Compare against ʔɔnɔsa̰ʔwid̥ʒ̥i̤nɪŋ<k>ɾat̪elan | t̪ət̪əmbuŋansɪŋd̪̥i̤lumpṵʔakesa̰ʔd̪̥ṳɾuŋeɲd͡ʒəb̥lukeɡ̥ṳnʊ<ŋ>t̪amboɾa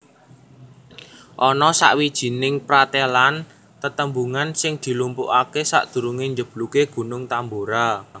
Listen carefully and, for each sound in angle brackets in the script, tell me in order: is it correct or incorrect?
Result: incorrect: p, correct

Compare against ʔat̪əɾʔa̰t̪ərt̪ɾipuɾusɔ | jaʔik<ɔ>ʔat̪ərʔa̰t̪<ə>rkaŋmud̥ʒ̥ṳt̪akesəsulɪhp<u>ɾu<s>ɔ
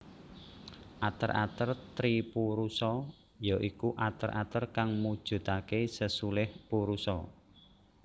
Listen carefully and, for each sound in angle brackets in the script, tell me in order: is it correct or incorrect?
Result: incorrect: u, correct, correct, correct

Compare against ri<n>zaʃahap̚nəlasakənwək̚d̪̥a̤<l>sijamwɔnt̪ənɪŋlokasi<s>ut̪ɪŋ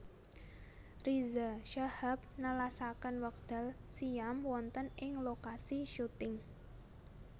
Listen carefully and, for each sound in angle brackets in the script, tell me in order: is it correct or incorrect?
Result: incorrect: none, correct, incorrect: ʃ

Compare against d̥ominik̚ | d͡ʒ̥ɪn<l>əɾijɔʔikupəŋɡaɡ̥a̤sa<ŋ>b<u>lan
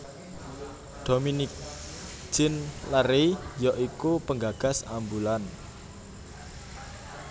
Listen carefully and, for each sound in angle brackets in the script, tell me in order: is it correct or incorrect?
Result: correct, incorrect: m, correct

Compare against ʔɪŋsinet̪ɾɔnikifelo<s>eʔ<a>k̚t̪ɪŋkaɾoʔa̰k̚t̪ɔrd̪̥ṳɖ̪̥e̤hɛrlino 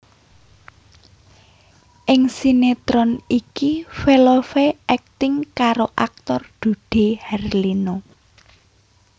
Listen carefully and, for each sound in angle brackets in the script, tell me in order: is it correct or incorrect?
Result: incorrect: f, incorrect: ɛ

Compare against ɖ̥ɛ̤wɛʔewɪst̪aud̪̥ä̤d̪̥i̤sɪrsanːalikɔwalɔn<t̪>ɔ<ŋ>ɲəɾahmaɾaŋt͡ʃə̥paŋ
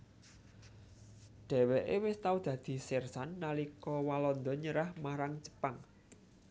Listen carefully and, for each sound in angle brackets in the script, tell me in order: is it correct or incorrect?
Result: incorrect: d̪, incorrect: none

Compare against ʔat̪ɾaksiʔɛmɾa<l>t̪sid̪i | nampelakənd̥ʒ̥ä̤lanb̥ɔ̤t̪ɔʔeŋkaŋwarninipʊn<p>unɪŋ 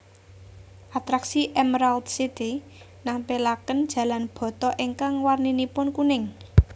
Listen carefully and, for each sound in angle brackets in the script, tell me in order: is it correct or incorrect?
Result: correct, incorrect: k

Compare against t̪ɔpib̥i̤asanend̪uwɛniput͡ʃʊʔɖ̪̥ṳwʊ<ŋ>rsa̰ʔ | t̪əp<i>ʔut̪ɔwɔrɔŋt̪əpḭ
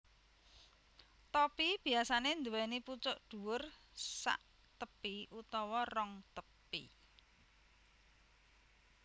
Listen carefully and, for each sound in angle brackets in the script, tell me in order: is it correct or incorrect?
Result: incorrect: none, correct

